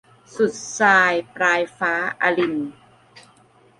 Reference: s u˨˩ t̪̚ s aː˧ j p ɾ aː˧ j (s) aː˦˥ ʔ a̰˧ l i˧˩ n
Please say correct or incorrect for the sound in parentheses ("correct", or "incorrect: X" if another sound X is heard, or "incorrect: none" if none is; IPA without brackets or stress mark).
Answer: incorrect: f